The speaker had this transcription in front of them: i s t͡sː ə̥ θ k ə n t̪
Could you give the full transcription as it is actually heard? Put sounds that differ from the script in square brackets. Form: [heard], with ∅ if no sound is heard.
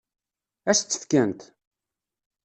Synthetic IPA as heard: [æ] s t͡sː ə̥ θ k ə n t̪